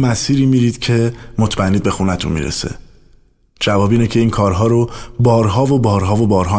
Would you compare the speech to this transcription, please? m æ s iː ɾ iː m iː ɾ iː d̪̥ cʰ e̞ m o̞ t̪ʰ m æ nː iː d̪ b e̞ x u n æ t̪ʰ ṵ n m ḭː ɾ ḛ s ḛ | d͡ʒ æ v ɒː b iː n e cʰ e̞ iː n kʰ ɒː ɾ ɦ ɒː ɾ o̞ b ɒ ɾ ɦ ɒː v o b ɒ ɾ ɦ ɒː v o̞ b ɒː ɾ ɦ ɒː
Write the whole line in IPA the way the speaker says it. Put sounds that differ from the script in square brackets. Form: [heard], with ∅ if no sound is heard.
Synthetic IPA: m æ s iː ɾ iː m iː ɾ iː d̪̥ cʰ e̞ m o̞ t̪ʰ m æ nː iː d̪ b e̞ x u n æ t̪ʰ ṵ n m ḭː ɾ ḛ s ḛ | d͡ʒ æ v ɒː b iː n e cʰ e̞ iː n kʰ ɒː ɾ ɦ ɒː ɾ o̞ b [ɒː] ɾ ɦ ɒː v o b [ɒː] ɾ ɦ ɒː v o̞ b ɒː ɾ ɦ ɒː